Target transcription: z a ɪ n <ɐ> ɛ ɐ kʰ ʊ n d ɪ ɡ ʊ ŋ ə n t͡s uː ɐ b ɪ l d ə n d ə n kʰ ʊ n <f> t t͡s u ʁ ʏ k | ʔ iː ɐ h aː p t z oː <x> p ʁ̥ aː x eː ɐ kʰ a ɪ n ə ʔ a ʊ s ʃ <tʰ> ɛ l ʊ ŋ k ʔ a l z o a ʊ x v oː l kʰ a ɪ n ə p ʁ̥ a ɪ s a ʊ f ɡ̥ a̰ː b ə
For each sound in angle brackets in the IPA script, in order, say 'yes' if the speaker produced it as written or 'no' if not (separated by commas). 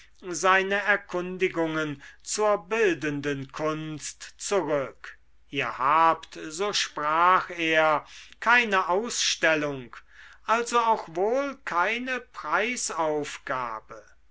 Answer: no, no, no, no